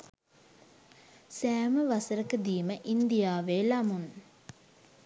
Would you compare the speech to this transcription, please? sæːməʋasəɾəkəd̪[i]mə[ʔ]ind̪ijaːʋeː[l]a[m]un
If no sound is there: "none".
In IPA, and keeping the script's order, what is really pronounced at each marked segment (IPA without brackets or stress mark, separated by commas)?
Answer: iː, ʔ, l, m